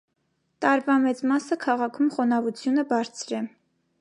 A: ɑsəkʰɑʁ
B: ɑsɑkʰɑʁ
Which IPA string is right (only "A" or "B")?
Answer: A